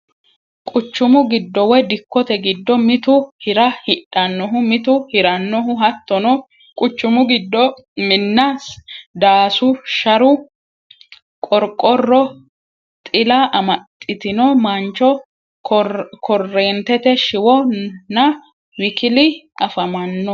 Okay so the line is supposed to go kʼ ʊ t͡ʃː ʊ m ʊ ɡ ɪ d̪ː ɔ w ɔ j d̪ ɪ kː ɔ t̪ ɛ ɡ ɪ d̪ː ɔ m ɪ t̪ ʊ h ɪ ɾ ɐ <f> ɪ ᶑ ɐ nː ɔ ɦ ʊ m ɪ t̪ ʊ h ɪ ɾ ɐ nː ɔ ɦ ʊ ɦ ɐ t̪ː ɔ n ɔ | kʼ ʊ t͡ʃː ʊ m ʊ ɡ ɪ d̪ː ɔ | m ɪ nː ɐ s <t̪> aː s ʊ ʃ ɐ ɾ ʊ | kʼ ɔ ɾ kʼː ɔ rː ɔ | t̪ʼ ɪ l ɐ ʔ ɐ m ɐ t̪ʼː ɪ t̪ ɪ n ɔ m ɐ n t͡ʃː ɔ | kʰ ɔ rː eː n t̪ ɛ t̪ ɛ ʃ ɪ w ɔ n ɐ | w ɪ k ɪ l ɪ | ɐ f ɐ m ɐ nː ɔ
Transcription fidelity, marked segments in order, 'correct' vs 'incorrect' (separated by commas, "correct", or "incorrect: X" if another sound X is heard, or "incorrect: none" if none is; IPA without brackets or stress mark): incorrect: h, incorrect: d̪